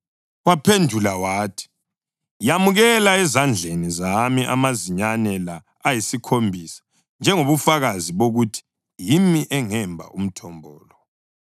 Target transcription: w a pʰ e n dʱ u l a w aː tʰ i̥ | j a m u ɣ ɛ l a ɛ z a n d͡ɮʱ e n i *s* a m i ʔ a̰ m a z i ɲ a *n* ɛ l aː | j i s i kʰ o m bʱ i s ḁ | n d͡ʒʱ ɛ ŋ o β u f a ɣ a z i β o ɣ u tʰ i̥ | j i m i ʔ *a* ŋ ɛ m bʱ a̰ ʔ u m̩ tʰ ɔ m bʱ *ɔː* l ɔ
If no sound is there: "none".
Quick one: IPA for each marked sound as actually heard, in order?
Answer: z, n, ɛ, ɔː

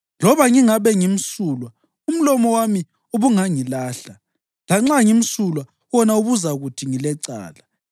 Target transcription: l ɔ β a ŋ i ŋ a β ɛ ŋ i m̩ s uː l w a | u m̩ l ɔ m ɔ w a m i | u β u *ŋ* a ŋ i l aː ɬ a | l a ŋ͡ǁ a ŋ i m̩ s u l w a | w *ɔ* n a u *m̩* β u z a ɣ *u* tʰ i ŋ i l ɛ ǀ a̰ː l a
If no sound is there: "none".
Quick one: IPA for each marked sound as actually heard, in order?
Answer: ŋ, ɔ, none, u

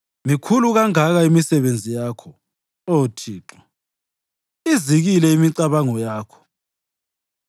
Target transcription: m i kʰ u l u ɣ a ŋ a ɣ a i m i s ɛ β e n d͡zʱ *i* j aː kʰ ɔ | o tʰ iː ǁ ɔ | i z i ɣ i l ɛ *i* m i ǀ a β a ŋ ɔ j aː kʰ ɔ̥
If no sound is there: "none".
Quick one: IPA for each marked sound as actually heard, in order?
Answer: i, i

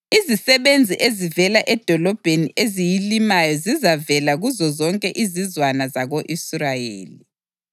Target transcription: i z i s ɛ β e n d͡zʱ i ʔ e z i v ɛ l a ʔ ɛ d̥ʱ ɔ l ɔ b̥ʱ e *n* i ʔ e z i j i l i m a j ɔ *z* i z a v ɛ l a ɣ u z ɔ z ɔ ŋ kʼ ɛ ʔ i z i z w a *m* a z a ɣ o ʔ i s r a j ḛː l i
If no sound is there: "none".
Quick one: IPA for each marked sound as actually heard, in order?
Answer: n, z, n

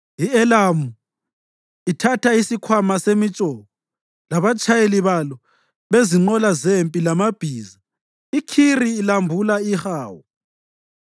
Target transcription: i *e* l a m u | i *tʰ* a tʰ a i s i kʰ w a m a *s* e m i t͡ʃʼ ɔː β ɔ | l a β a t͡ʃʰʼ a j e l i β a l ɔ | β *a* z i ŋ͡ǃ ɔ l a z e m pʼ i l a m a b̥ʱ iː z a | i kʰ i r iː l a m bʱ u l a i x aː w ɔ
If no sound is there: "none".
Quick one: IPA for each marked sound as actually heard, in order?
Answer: ɛ, tʰ, s, e

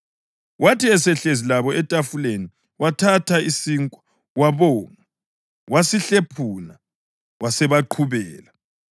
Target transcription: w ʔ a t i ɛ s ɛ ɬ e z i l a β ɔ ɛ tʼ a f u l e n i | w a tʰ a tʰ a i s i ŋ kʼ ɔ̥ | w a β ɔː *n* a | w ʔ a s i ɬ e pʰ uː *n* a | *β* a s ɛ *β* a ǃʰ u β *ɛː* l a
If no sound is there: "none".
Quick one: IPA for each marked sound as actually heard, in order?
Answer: ŋ, n, w, β, ɛː

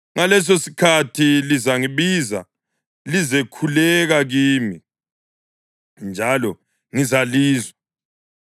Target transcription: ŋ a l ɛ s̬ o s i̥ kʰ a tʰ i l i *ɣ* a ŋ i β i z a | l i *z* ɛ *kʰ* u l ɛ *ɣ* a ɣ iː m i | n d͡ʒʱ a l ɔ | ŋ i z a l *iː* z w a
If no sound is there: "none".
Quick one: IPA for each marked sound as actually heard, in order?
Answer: z, z, kʰ, ɣ, iː

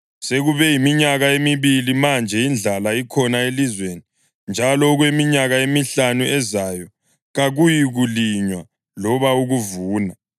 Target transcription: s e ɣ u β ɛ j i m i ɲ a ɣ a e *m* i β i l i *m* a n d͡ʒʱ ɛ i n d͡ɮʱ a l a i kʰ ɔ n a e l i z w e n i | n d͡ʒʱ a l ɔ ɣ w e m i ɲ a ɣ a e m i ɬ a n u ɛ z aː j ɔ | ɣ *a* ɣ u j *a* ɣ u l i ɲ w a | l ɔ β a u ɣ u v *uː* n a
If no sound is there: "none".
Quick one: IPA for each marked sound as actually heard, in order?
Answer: m, m, a, i, uː

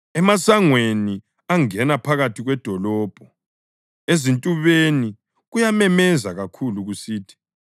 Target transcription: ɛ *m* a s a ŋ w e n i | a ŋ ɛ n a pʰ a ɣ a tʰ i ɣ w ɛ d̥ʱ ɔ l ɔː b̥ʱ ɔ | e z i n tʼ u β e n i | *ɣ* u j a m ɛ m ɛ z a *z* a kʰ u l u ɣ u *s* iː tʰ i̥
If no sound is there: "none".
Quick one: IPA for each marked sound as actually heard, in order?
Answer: m, ɣ, ɣ, s

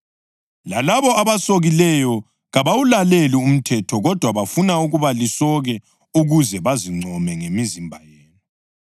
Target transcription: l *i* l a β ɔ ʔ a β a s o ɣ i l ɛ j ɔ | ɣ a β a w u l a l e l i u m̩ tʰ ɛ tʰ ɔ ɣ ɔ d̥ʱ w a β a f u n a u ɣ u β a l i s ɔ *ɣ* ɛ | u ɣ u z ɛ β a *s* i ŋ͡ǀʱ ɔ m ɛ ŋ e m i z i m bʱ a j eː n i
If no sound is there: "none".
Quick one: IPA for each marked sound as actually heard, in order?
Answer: a, ɣ, z

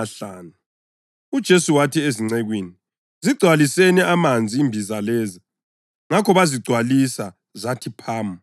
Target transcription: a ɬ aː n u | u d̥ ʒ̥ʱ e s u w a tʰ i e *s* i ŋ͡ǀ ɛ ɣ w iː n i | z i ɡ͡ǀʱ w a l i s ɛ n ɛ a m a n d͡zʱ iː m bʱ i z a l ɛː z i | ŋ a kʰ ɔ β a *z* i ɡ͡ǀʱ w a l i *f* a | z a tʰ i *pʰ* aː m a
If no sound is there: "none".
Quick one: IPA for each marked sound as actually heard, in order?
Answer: z, z, s, pʰ

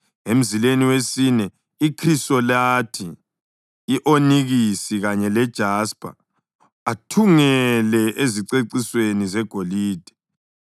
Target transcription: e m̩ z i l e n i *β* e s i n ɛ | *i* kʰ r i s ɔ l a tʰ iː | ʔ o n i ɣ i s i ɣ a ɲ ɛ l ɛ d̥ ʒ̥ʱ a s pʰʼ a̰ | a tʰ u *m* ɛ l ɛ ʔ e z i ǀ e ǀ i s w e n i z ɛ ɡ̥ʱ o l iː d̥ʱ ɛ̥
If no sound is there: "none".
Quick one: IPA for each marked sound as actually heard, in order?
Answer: w, i, ŋ

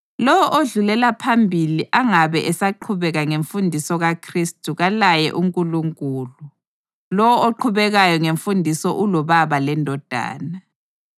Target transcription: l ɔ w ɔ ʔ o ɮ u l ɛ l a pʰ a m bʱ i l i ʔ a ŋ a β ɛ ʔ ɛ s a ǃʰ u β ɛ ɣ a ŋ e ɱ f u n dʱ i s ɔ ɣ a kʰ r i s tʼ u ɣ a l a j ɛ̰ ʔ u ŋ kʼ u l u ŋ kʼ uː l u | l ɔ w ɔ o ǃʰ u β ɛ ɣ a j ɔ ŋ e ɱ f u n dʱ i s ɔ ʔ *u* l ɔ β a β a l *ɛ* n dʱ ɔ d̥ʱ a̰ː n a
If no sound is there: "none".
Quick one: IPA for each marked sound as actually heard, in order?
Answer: u, ɛ

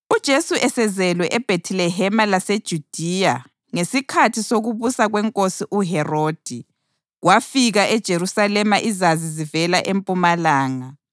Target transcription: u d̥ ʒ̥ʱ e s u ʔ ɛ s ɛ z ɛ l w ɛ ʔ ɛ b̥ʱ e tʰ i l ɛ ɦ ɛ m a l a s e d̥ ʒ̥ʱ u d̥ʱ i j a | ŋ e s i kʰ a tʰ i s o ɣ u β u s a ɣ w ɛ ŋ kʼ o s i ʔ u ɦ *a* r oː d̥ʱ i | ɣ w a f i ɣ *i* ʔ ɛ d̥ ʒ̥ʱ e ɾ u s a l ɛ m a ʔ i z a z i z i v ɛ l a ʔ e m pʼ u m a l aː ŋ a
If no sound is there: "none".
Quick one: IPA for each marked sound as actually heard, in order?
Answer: ɛ, a

